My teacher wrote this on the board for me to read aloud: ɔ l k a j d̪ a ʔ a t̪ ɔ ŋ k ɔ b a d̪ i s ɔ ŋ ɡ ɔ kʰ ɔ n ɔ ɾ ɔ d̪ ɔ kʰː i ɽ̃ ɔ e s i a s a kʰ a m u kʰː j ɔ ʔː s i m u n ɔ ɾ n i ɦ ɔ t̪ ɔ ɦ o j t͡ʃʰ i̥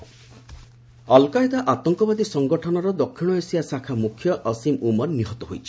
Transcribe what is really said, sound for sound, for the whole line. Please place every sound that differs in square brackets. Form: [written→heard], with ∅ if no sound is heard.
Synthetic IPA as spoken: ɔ l k a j d̪ a ʔ a t̪ ɔ ŋ k ɔ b a d̪ i s ɔ ŋ ɡ ɔ [kʰ→ʈʰ] ɔ n ɔ ɾ ɔ d̪ ɔ kʰː i ɽ̃ ɔ e s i a s a kʰ a m u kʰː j ɔ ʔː s i m u [n→m] ɔ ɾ n i ɦ ɔ t̪ ɔ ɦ o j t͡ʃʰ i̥